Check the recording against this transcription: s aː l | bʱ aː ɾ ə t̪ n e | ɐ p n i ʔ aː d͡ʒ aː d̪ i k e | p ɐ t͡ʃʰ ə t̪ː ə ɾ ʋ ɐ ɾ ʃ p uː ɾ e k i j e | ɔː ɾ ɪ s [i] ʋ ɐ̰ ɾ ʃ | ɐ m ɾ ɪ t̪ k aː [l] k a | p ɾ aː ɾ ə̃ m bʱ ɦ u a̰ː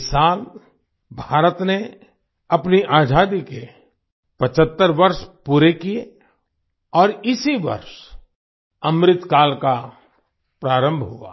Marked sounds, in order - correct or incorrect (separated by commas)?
correct, correct